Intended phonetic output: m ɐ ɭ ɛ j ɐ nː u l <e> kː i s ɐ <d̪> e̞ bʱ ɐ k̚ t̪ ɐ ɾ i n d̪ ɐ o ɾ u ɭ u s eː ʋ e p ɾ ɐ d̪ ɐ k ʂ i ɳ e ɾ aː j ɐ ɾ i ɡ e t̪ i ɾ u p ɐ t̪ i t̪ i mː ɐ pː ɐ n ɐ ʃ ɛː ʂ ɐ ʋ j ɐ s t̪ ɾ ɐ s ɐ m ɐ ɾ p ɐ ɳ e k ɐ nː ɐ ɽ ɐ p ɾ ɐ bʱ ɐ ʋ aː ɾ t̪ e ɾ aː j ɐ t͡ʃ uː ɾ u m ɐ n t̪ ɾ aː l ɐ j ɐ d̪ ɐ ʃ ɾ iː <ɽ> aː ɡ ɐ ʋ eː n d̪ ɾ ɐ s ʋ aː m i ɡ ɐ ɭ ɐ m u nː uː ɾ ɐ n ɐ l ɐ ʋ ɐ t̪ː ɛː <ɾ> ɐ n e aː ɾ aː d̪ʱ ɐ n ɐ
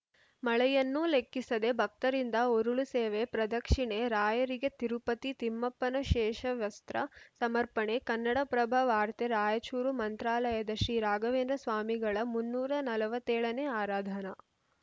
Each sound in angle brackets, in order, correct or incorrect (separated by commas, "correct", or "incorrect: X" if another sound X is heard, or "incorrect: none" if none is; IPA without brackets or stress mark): correct, correct, incorrect: ɾ, incorrect: ɭ